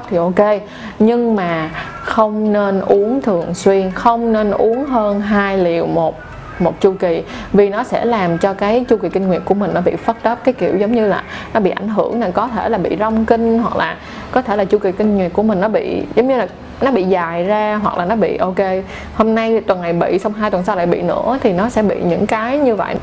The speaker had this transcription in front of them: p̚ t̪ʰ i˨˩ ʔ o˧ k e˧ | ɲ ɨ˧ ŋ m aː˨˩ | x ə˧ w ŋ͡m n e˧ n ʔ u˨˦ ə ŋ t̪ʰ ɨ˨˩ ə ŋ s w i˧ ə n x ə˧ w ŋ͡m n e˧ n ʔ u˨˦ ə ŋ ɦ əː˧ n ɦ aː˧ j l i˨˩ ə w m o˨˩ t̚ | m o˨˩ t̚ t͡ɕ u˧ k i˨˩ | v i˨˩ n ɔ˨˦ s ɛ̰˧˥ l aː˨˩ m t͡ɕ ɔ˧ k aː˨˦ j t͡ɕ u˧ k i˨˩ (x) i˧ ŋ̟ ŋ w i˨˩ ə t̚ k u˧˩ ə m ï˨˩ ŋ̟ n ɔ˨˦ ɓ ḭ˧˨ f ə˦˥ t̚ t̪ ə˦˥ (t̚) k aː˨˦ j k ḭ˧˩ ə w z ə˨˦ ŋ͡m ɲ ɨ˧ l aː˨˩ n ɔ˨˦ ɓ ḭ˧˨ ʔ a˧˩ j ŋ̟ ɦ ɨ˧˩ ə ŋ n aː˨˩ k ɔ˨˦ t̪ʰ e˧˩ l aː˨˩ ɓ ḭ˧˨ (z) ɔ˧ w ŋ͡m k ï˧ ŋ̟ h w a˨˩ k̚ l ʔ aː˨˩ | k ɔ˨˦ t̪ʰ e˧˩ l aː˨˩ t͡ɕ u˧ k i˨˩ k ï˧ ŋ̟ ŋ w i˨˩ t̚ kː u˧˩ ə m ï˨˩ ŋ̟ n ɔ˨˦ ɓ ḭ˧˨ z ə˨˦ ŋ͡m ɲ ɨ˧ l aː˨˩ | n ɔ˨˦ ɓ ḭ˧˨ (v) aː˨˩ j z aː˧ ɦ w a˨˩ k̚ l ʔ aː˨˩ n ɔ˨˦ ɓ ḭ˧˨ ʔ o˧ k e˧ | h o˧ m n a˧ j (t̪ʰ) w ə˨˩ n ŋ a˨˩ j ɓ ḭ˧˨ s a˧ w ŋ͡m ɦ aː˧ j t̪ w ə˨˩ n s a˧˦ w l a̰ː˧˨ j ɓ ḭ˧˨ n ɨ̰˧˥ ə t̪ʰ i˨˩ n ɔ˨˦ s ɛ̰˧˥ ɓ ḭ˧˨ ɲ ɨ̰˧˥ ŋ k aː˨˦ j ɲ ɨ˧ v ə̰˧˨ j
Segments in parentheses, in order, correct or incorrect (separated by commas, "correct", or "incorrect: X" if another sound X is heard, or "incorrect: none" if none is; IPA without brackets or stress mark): incorrect: k, incorrect: p̚, correct, incorrect: z, incorrect: t̪